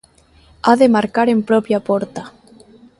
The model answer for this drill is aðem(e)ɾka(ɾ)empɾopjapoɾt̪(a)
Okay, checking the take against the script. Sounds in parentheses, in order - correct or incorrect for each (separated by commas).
incorrect, correct, correct